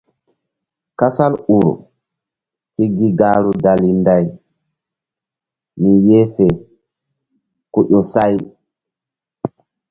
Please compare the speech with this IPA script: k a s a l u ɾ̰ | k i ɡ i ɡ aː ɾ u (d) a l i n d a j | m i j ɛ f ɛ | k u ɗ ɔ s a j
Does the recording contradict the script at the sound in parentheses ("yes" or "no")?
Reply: no